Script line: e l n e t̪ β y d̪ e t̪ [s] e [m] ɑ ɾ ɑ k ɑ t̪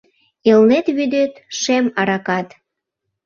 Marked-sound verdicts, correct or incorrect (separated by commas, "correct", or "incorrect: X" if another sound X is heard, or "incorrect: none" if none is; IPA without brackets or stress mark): incorrect: ʃ, correct